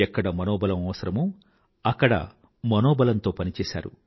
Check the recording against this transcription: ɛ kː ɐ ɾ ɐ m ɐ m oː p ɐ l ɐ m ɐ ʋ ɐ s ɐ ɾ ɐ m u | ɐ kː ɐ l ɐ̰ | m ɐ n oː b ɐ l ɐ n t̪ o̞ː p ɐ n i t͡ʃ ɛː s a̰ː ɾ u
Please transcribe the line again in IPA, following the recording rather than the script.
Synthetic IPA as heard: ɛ kː ɐ ɽ ɐ m ɐ n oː b ɐ l ɐ m ɐ ʋ ɐ s ɐ ɾ ɐ m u | ɐ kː ɐ ɽ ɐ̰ | m ɐ n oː b ɐ l ɐ n t̪ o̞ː p ɐ n i t͡ʃ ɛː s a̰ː ɾ u